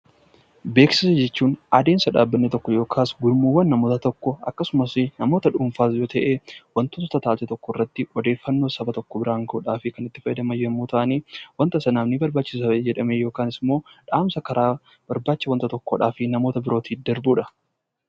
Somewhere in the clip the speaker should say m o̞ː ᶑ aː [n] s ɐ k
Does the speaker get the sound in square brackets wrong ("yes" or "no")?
yes